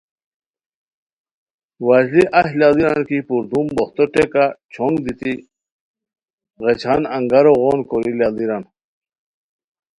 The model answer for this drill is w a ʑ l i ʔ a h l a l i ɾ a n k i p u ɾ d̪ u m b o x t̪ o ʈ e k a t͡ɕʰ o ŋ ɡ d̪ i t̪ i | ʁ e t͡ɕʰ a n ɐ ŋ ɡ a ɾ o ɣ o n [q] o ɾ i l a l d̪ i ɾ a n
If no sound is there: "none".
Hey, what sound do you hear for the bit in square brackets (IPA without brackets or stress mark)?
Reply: k